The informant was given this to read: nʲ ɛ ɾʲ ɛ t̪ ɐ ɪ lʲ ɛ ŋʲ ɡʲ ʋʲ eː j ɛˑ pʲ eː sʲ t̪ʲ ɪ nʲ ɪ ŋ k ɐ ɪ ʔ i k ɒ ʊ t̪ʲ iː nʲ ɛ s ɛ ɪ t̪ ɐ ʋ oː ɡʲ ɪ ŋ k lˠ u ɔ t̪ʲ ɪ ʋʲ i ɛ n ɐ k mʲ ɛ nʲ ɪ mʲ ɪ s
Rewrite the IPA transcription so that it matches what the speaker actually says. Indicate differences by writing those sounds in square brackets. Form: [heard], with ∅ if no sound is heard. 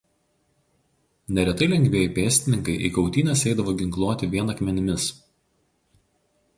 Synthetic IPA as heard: nʲ ɛ ɾʲ ɛ t̪ ɐ ɪ lʲ ɛ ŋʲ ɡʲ ʋʲ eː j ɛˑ pʲ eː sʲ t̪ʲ ɪ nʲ ɪ ŋ k ɐ ɪ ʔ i k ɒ ʊ t̪ʲ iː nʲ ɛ s ɛ ɪ [d̪] ɐ ʋ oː ɡʲ ɪ ŋ k lˠ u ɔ t̪ʲ ɪ ʋʲ i ɛ n ɐ k mʲ ɛ nʲ ɪ mʲ ɪ s